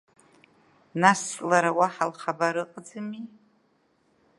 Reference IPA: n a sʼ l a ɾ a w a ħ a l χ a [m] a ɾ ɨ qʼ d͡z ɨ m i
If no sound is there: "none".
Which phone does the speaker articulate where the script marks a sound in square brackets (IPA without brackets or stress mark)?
b